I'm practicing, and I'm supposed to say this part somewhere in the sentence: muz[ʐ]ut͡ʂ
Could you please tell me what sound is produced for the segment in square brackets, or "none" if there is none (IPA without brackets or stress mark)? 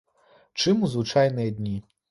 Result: v